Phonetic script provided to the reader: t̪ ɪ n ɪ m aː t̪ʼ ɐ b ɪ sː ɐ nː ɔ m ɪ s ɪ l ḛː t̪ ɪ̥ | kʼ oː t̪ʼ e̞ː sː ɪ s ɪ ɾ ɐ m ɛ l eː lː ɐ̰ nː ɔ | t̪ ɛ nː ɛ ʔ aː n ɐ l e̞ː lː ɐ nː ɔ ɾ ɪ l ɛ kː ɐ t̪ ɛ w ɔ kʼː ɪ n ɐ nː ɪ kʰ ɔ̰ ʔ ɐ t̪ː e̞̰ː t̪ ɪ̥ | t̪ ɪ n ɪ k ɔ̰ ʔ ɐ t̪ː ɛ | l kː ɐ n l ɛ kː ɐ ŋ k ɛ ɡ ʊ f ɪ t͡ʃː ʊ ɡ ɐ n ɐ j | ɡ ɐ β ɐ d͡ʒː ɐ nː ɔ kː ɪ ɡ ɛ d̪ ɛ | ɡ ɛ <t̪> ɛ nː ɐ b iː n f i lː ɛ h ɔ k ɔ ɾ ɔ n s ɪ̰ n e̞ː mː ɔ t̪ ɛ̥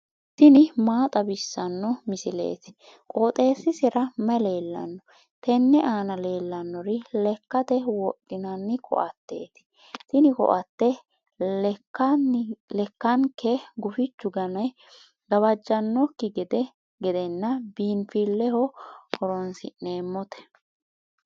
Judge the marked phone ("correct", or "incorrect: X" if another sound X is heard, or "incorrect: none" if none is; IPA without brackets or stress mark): incorrect: d̪